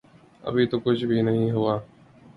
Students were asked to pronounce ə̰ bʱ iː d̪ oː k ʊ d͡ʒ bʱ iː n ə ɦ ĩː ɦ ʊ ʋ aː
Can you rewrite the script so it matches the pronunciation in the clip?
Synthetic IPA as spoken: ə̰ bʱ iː t̪ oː k ʊ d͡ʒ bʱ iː n ə ɦ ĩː ɦ ʊ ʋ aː